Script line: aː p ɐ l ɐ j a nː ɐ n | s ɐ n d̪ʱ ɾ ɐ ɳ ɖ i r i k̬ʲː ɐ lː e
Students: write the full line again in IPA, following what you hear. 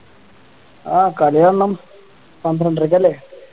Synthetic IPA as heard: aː k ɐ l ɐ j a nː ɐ m | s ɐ n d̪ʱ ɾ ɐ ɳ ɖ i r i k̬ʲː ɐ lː e